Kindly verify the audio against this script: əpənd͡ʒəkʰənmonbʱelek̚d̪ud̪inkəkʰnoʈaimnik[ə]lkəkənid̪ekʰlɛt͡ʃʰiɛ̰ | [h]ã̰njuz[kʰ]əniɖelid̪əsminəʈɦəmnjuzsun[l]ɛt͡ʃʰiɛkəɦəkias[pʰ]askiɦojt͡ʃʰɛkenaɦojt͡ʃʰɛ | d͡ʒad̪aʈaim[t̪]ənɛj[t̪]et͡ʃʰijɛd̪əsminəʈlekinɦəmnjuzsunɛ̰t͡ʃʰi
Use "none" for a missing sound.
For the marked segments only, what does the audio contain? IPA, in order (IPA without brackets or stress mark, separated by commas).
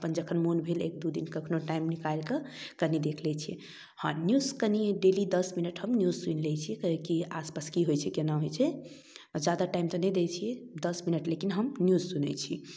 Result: a, h, k, l, p, t̪, d̪